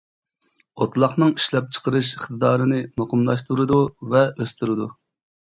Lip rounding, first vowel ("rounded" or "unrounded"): rounded